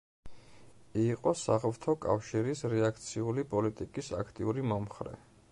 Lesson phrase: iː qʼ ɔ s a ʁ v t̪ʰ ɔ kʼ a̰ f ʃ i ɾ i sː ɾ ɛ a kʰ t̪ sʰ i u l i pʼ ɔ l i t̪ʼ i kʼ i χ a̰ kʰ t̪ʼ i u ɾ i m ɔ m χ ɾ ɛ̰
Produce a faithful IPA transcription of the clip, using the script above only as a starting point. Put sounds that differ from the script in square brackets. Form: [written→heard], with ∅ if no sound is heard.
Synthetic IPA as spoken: iː qʼ ɔ s a ʁ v t̪ʰ ɔ kʼ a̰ f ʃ i ɾ i [sː→s] ɾ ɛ a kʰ t̪ sʰ i u l i pʼ ɔ l i t̪ʼ i kʼ i [χ→s] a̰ kʰ t̪ʼ i u ɾ i m ɔ m χ ɾ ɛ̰